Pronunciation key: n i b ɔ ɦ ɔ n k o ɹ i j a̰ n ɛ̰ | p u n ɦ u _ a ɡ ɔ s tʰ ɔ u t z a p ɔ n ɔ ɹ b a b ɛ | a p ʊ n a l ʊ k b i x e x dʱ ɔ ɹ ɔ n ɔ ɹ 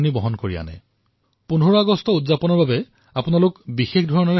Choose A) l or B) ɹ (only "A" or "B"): B